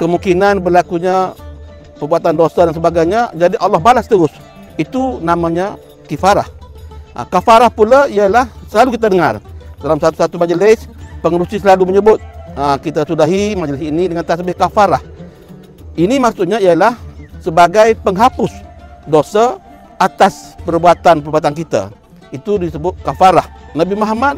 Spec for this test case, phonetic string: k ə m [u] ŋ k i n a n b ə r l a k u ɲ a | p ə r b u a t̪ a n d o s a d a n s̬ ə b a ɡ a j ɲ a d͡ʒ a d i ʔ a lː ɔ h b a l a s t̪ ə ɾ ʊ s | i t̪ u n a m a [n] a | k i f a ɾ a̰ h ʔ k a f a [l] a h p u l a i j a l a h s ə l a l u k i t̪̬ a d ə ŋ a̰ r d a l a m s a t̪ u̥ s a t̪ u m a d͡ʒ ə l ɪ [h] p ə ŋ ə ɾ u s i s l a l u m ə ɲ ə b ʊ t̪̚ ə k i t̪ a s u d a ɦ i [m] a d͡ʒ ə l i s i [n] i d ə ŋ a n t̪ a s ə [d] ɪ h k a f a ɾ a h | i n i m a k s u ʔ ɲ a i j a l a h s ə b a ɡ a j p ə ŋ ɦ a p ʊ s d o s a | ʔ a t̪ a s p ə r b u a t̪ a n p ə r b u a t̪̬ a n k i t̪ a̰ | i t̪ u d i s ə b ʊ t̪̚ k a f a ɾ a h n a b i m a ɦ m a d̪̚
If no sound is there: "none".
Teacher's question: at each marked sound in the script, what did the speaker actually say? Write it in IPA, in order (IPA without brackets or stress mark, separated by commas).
u, ɲ, ɾ, s, m, n, b